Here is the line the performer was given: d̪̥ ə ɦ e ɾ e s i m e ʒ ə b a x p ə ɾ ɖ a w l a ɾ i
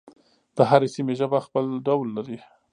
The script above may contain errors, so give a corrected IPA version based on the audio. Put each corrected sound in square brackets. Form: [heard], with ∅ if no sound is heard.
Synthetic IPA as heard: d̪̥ ə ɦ [a] ɾ e s i m e ʒ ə b a x p ə [l] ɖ a w [lː] a ɾ i